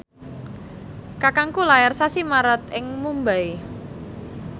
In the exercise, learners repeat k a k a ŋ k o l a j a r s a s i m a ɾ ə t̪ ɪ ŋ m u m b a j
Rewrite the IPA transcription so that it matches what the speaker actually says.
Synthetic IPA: k a k a ŋ k u l a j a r s a s i m a ɾ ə t̪ ɪ ŋ m u m b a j